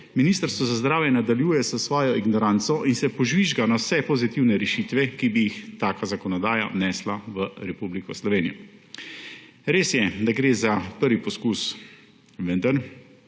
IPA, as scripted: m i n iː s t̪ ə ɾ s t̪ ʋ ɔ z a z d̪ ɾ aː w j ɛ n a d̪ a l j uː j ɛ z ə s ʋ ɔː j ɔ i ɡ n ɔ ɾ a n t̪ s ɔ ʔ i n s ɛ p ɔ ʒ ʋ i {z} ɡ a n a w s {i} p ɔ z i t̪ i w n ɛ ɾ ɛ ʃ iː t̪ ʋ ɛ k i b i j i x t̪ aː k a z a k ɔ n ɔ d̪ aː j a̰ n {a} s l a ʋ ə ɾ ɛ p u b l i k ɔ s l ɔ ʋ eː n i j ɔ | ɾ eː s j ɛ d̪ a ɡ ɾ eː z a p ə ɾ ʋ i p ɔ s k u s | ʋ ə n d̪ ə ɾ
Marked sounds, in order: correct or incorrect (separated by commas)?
incorrect, incorrect, incorrect